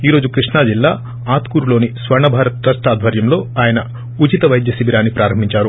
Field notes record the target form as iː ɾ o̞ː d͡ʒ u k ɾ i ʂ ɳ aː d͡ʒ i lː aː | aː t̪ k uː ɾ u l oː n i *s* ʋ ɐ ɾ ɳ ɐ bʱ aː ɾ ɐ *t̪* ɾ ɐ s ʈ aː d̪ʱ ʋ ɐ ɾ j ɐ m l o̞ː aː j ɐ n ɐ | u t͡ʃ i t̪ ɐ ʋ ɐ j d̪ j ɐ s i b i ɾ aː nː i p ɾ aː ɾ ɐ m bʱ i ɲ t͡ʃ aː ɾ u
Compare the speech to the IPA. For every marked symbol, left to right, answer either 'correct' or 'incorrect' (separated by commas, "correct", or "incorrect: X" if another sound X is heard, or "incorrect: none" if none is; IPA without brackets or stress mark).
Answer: correct, correct